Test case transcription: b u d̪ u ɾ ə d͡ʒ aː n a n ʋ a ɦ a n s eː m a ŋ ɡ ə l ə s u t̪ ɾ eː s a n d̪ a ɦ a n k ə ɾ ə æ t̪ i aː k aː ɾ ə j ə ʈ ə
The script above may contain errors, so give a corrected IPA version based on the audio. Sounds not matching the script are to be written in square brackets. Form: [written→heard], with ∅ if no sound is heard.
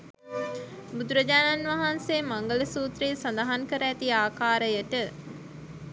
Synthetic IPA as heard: b u d̪ u ɾ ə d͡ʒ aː n a n ʋ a ɦ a n s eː m a ŋ ɡ ə l ə s [u→uː] t̪ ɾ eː s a n d̪ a ɦ a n k ə ɾ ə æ t̪ i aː k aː ɾ ə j ə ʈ ə